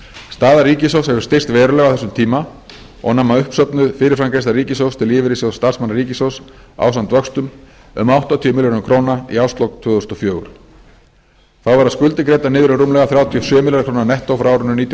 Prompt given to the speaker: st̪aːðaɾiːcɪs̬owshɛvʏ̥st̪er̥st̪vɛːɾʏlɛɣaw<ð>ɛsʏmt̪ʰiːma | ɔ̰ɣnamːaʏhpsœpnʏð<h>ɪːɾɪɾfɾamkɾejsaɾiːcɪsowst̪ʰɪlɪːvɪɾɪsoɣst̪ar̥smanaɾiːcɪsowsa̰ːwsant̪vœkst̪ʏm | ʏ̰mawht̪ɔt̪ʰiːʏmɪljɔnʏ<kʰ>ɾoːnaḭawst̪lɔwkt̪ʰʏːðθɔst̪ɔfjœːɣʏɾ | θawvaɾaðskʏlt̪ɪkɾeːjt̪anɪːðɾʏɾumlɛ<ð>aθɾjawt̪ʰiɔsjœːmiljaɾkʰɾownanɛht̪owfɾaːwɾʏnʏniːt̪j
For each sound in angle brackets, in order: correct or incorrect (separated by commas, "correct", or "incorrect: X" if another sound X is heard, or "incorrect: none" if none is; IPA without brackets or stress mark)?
incorrect: θ, incorrect: f, correct, incorrect: ɣ